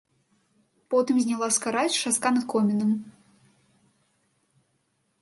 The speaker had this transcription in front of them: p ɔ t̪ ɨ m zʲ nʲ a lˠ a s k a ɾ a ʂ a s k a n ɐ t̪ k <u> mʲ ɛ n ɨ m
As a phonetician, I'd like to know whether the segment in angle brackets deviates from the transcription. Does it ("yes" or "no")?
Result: yes